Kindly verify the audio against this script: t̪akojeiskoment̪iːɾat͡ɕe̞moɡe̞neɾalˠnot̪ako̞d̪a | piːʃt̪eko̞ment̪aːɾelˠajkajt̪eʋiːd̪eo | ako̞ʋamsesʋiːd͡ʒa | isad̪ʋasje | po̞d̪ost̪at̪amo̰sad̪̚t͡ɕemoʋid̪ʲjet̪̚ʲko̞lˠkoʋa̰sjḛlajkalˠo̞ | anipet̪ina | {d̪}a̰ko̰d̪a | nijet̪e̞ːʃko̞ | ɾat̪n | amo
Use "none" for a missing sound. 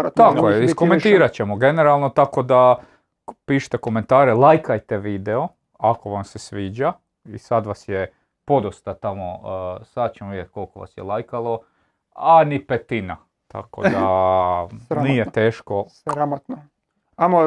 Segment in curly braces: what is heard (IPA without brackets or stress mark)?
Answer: t̪